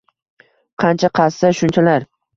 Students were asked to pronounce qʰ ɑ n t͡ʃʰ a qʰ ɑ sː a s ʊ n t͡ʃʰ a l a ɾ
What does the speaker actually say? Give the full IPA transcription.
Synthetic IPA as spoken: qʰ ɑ n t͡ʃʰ a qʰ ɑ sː a ʃ ʊ n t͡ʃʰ a l a ɾ